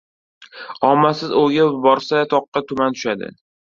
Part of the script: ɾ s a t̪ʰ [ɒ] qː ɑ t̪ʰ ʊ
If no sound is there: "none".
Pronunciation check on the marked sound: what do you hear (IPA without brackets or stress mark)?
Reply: ɒ